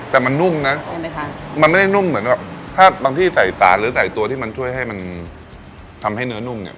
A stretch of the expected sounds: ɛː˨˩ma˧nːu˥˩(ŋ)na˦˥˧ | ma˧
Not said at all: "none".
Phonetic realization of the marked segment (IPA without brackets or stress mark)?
m